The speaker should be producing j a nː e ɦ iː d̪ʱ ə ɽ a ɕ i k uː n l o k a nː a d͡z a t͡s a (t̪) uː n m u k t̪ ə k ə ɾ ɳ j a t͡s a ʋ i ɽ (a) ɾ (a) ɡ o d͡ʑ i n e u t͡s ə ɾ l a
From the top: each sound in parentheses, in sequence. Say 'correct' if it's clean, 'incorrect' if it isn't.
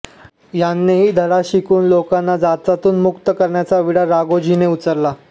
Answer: correct, correct, correct

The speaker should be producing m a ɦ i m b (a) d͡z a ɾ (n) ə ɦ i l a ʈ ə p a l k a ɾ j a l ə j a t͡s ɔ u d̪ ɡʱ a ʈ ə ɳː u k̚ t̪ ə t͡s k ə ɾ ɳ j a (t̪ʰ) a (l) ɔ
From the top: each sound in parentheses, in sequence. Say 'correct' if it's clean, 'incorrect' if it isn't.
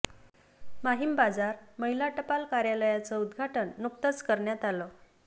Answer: correct, incorrect: m, incorrect: t̪, correct

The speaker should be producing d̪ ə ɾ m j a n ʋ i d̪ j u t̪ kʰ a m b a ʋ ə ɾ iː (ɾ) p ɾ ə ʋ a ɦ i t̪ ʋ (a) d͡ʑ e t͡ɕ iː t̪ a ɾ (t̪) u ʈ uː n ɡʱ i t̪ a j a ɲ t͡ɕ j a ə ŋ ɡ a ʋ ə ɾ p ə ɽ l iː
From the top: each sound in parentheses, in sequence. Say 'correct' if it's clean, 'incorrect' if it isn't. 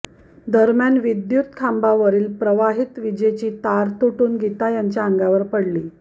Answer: incorrect: l, incorrect: i, correct

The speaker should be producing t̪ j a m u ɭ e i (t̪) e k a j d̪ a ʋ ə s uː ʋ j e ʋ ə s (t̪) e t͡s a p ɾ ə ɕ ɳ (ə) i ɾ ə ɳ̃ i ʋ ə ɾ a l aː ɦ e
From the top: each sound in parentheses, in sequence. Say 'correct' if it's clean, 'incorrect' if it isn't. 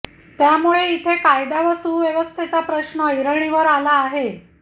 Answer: incorrect: t̪ʰ, incorrect: t̪ʰ, correct

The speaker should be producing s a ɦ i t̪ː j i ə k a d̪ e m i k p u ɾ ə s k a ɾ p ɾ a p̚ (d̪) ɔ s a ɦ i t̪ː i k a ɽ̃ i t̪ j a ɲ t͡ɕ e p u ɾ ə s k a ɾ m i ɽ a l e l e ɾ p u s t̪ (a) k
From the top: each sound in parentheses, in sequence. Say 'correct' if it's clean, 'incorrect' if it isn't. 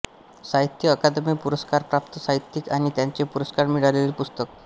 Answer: incorrect: t̪, incorrect: ə

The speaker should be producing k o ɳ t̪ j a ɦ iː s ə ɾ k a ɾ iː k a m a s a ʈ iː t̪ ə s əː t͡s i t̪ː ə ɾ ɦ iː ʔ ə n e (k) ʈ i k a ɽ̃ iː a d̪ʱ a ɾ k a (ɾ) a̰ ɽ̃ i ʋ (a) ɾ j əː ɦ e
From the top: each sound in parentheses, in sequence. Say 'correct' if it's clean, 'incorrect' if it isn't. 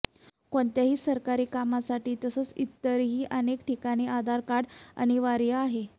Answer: correct, incorrect: ɽ, correct

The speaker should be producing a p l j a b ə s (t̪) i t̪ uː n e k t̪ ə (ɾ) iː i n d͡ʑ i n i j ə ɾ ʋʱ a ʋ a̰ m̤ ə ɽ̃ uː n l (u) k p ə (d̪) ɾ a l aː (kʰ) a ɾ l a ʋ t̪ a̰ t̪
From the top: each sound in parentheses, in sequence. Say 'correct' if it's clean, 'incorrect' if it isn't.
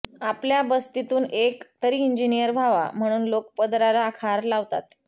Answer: correct, correct, incorrect: o, correct, correct

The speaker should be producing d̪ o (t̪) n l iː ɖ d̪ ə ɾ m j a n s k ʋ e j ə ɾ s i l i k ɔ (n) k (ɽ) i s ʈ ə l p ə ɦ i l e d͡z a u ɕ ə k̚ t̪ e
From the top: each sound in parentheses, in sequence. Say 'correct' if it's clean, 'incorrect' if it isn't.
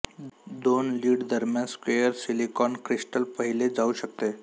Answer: incorrect: none, correct, incorrect: ɾ

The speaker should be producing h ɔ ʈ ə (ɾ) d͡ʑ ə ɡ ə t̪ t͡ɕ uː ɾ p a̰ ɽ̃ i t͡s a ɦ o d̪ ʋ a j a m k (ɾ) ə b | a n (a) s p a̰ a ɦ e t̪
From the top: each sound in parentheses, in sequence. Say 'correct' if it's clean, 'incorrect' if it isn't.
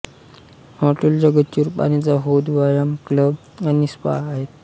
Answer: incorrect: l, incorrect: l, incorrect: i

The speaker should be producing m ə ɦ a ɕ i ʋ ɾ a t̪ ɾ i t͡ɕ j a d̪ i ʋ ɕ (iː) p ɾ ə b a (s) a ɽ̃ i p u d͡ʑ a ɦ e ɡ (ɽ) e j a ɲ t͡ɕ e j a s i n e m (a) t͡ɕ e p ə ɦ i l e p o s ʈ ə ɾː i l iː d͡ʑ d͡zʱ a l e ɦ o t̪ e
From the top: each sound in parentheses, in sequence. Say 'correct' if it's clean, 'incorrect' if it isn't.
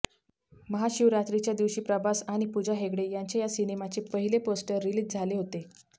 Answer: correct, correct, correct, correct

